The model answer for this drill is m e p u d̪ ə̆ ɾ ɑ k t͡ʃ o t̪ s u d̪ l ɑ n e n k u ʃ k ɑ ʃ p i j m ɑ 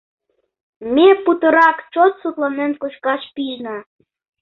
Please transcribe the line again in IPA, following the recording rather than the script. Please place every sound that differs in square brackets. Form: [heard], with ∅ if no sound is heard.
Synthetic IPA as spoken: m e p u [t̪] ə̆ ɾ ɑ k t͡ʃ o t̪ s u [t̪] l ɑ n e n k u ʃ k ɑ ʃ p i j [n] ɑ